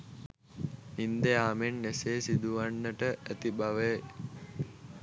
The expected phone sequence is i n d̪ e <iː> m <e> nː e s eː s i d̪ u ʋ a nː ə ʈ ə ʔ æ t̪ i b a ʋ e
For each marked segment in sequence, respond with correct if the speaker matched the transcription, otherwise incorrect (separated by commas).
incorrect, correct